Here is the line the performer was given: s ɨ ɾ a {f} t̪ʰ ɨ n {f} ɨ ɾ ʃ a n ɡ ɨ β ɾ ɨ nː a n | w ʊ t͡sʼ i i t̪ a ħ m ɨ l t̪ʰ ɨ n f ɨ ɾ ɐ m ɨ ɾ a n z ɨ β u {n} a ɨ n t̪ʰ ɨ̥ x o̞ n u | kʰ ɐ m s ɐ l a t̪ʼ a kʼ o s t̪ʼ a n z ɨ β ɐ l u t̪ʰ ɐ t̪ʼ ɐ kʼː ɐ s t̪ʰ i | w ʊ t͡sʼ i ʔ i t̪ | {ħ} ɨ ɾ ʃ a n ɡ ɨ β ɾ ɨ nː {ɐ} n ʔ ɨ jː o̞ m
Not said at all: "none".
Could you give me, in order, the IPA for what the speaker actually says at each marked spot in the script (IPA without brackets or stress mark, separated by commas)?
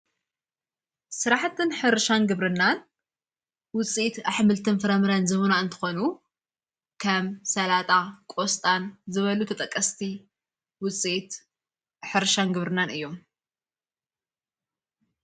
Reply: ħ, ħ, n, ħ, a